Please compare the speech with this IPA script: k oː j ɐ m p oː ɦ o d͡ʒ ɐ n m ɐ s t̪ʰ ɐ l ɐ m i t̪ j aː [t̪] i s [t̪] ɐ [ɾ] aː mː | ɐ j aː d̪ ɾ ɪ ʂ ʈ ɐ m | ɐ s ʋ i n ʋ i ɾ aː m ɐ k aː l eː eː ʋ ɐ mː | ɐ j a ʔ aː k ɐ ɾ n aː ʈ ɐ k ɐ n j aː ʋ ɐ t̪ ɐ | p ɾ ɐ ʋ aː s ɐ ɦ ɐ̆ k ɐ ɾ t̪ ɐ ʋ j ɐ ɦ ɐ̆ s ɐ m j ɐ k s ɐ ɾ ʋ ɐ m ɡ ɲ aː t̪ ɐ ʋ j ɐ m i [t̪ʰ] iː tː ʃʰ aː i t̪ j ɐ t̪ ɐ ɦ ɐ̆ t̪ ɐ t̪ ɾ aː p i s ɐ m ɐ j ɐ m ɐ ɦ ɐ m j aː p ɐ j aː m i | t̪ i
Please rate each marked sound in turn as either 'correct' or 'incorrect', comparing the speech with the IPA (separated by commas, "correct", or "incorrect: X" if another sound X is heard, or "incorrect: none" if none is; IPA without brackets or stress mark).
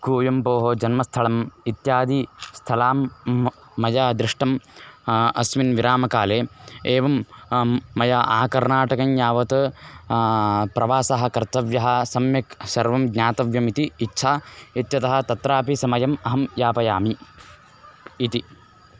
incorrect: d̪, incorrect: t̪ʰ, incorrect: l, incorrect: t̪